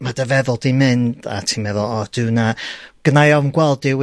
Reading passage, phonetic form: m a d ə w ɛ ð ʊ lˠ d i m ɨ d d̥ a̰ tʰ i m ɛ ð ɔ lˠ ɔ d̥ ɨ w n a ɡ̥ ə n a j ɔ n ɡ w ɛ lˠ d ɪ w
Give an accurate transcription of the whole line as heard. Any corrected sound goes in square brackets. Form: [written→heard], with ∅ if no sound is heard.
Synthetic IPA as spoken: m a d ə [w→v] ɛ ð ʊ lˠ d i m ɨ [d→n] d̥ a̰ tʰ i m ɛ ð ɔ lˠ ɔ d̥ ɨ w n a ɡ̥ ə n a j ɔ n ɡ w ɛ lˠ d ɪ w